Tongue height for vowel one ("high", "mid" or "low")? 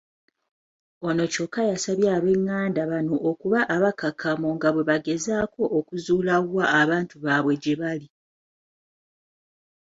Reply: mid